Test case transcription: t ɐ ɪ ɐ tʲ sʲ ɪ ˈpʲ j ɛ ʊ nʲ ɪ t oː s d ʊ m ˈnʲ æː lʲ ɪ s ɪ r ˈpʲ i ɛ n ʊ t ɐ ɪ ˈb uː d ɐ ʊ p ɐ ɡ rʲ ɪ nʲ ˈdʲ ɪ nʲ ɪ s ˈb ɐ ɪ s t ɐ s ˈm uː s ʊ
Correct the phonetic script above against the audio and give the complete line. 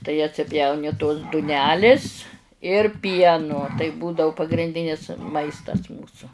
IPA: t ɐ ɪ ɐ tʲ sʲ ɪ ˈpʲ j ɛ ʊ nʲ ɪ t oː s d ʊ ˈnʲ æː lʲ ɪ s ɪ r ˈpʲ i ɛ n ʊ t ɐ ɪ ˈb uː d ɐ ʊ p ɐ ɡ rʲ ɪ nʲ ˈdʲ ɪ nʲ ɪ s ˈm ɐ ɪ s t ɐ s ˈm uː s ʊ